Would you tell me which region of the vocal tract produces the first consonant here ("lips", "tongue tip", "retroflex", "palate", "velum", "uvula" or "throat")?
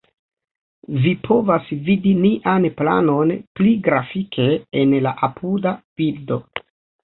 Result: lips